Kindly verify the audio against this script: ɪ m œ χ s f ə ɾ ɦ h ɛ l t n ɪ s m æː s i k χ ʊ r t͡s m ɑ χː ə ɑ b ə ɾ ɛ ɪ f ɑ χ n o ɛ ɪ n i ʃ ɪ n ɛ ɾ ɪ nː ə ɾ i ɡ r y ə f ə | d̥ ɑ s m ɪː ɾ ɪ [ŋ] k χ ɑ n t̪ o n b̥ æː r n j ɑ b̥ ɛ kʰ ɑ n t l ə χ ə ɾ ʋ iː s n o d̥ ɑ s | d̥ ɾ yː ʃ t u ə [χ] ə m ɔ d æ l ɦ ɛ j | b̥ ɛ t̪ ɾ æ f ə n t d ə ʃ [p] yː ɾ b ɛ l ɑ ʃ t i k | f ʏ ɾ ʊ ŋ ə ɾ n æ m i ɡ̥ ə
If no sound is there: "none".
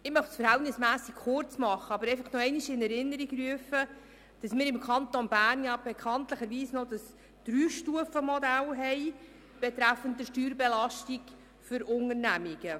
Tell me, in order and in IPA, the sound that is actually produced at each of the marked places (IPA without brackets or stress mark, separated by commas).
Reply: m, f, t